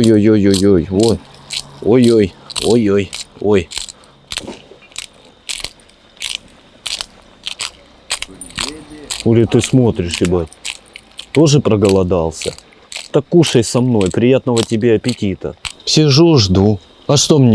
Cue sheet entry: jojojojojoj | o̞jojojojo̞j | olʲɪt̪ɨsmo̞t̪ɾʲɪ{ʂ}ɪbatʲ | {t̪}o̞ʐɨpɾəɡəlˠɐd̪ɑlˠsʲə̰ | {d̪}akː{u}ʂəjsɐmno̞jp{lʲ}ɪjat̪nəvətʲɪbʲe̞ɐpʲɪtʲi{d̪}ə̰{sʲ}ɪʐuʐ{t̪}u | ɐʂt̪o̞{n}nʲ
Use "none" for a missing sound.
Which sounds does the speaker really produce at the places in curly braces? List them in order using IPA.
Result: ʂ, t̪, t̪, u, ɾʲ, t̪, sʲ, d̪, m

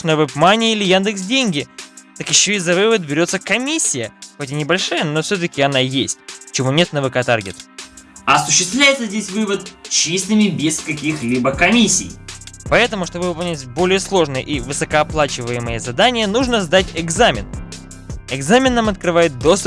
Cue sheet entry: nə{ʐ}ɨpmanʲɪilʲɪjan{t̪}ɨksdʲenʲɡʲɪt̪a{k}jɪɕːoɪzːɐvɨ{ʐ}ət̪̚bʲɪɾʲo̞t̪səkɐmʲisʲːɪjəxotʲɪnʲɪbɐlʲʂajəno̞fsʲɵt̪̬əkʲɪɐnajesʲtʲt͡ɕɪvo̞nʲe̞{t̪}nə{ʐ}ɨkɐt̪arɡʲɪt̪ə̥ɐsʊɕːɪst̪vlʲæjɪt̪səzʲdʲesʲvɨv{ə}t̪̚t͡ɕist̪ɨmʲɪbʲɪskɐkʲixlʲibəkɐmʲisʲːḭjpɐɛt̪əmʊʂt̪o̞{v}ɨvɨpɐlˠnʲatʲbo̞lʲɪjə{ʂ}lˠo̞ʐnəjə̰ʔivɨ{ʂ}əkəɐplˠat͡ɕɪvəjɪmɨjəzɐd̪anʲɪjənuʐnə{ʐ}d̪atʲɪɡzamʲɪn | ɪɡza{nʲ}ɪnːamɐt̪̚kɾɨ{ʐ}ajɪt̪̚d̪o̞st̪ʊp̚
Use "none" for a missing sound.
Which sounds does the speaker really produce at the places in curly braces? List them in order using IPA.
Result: v, d̪, k, v, t̪, v, ə, b, s, s, z, mʲ, v

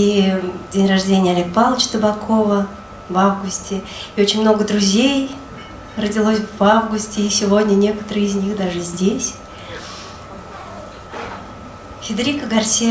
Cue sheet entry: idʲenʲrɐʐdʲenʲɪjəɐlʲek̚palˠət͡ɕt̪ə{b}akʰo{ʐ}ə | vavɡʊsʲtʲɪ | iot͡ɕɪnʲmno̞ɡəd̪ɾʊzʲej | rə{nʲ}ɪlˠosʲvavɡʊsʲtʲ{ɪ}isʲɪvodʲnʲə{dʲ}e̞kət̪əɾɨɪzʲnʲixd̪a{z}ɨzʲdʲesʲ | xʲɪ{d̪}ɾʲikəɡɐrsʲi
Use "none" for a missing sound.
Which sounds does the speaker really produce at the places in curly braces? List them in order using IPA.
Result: b, v, dʲ, ɪ, nʲ, ʐ, d̪

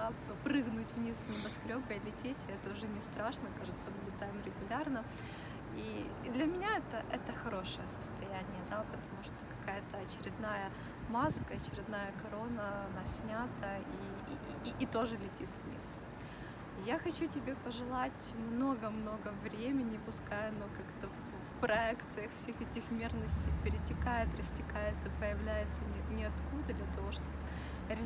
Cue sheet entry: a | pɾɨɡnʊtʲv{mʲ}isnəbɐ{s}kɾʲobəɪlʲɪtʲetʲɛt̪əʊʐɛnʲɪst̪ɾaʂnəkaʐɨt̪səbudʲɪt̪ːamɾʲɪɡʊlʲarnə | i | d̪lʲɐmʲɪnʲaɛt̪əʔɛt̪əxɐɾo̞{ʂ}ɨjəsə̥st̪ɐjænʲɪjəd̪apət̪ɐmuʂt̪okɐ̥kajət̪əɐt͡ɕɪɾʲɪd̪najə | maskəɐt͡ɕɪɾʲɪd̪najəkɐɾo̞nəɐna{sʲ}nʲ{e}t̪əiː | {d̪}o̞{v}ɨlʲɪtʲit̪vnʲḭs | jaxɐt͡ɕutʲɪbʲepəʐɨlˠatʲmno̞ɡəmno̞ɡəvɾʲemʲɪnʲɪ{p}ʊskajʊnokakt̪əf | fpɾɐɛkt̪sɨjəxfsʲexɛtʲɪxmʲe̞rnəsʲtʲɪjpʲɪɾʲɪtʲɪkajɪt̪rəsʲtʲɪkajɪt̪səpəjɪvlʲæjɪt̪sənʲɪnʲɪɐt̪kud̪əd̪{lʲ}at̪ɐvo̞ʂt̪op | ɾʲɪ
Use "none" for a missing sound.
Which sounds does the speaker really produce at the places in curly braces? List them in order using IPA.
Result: nʲ, s, ʂ, sʲ, a, t̪, ʐ, p, lʲ

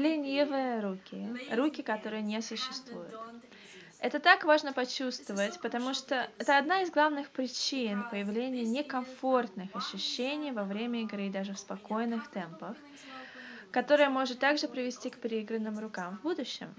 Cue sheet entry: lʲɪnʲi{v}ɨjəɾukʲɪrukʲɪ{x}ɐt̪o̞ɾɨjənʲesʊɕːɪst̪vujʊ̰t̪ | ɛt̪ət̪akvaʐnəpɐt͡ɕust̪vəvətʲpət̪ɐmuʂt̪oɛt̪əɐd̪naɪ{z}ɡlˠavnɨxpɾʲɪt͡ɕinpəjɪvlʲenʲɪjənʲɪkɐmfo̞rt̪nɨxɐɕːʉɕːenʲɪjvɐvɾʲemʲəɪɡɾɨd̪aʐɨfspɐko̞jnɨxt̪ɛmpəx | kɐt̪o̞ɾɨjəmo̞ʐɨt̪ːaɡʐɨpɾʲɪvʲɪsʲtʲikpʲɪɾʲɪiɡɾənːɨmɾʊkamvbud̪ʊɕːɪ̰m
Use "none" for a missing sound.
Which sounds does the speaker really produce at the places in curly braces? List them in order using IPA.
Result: v, k, z

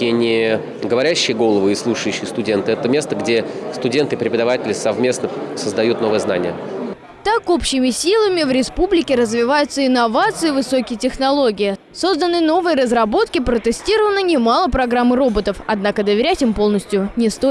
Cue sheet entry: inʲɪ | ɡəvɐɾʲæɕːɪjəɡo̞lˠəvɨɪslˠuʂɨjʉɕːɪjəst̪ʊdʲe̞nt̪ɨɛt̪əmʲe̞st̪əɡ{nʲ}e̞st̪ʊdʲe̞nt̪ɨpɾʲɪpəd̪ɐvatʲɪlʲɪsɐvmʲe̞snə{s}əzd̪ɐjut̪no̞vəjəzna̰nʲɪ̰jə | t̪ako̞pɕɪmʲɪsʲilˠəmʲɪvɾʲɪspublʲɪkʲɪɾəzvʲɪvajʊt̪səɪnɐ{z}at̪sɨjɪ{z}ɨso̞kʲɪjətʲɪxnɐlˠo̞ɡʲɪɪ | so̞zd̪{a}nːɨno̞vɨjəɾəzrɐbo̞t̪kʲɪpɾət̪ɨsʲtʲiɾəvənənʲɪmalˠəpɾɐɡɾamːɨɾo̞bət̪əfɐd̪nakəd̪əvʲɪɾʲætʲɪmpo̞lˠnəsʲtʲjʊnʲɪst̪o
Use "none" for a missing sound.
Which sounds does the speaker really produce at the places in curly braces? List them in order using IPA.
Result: dʲ, s, v, v, ə

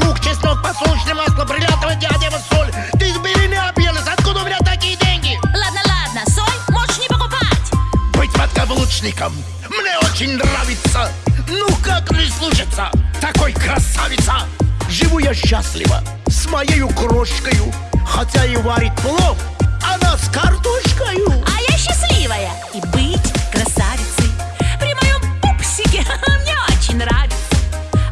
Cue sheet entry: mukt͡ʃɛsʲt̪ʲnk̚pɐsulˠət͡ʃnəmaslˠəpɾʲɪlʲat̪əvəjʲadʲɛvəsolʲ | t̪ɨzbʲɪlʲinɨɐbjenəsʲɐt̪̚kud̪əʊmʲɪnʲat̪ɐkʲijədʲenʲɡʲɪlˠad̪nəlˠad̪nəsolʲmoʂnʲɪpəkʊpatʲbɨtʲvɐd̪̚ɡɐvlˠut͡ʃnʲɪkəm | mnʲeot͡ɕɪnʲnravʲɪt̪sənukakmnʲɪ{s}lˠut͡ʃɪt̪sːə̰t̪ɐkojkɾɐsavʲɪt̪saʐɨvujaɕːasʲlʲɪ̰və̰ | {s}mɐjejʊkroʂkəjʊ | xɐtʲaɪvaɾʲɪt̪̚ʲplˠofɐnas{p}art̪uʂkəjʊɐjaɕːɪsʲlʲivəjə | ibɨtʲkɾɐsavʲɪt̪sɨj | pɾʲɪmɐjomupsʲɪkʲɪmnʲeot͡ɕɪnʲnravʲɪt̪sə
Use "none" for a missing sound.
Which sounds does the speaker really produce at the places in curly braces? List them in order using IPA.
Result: s, s, k

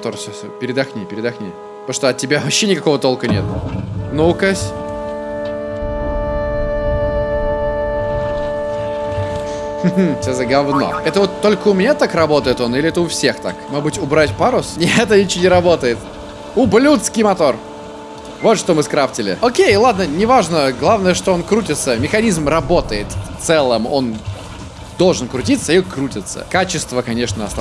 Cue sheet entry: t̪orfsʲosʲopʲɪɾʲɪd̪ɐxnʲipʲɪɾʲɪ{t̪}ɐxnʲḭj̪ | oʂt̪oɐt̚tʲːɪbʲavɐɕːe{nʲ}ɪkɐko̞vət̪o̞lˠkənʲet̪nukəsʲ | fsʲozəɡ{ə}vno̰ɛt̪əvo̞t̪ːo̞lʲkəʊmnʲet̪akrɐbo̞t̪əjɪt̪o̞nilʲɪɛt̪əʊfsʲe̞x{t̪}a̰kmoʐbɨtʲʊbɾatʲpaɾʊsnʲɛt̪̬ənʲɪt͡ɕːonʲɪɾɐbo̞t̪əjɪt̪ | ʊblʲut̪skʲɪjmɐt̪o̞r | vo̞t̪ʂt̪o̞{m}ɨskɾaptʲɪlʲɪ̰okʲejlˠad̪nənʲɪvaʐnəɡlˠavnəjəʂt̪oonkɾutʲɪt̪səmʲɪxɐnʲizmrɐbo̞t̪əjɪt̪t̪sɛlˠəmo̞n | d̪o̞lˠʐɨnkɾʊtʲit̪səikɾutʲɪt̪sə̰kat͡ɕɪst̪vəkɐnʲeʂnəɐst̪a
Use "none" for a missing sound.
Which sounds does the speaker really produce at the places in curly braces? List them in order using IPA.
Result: d̪, nʲ, ɐ, t̪, m

